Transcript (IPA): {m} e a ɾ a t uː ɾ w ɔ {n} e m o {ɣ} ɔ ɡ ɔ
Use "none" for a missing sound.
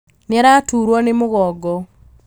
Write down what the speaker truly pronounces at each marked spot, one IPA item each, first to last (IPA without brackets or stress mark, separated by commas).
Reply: n, n, ɣ